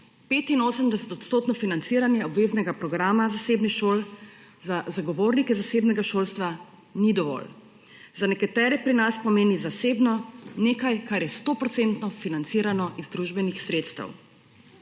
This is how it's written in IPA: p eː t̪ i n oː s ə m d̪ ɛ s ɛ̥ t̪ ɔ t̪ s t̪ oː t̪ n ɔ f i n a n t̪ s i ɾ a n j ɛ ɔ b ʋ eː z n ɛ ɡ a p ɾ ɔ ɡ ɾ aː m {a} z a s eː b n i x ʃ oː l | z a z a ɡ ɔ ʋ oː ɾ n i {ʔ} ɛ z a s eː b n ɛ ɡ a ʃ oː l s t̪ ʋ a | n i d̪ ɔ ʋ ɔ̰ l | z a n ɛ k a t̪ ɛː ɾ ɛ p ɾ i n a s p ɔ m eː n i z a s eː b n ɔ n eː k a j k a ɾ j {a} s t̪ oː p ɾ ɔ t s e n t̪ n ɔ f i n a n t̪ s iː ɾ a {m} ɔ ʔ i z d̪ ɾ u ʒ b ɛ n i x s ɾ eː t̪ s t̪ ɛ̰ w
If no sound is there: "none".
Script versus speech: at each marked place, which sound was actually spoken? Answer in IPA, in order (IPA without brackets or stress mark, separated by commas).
a, k, ɛ, n